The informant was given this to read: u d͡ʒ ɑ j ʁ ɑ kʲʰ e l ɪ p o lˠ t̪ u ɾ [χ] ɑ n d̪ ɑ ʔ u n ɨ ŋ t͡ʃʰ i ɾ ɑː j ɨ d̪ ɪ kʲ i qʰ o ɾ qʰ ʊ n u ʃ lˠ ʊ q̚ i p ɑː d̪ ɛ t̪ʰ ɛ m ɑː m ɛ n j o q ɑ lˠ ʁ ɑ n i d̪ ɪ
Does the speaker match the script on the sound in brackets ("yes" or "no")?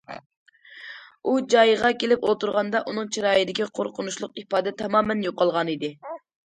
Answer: no